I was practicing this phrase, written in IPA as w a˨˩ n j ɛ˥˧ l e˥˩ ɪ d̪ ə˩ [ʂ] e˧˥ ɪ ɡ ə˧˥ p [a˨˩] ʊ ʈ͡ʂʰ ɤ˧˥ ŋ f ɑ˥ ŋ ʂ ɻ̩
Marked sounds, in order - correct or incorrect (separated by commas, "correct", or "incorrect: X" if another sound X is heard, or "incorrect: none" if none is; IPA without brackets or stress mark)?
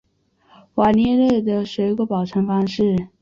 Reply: correct, incorrect: ɑ˨˩